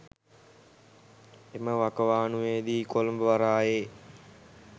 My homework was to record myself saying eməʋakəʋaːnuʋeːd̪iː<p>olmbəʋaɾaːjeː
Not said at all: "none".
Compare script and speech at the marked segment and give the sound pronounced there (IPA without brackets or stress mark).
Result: k